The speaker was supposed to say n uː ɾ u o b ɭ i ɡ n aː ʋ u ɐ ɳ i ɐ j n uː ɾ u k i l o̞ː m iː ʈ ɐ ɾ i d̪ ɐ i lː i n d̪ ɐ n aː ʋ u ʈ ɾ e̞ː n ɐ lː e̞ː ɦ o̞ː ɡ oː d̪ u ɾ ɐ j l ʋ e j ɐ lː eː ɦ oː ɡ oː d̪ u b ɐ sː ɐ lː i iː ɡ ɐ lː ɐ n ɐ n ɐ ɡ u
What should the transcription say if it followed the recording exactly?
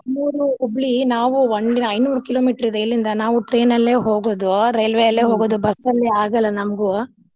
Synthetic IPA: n uː ɾ u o b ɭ i n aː ʋ u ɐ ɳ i ɐ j n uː ɾ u k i l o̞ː m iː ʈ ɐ ɾ i d̪ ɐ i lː i n d̪ ɐ n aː ʋ u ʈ ɾ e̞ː n ɐ lː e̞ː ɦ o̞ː ɡ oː d̪ u ɾ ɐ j l ʋ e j ɐ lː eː ɦ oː ɡ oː d̪ u b ɐ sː ɐ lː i aː ɡ ɐ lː ɐ n ɐ m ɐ ɡ u